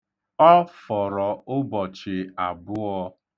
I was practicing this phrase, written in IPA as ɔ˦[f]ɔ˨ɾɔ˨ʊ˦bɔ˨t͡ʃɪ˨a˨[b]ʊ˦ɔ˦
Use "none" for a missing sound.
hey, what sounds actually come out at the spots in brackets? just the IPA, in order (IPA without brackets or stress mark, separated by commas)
f, b